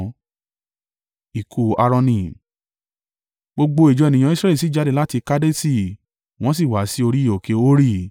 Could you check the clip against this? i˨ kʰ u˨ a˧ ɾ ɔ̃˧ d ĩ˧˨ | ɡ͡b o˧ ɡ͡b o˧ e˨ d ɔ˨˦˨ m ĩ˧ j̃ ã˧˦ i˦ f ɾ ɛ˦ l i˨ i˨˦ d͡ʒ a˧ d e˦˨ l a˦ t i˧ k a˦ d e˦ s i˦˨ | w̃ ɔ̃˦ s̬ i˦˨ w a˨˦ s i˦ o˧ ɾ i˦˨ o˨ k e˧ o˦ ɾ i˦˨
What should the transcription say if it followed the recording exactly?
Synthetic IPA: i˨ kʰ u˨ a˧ ɾ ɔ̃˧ n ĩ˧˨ | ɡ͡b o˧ ɡ͡b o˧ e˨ d͡ʒ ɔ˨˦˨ n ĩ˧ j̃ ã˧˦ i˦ s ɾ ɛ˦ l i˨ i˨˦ d͡ʒ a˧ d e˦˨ l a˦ t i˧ k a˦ d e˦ s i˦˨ | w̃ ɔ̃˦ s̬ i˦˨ w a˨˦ s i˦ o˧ ɾ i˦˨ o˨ k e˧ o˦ ɾ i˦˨